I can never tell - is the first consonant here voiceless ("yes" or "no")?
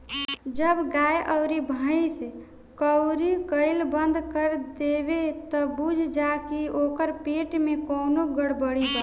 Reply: no